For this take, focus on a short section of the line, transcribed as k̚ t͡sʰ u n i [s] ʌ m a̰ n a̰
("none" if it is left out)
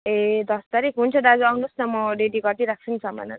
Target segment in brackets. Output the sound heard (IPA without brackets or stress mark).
s